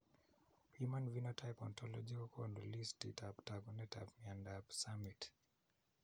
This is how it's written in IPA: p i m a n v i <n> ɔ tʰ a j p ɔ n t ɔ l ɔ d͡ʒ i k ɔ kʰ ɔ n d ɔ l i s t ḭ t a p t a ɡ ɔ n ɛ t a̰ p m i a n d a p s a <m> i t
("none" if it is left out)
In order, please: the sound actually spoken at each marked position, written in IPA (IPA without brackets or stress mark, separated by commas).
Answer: n, m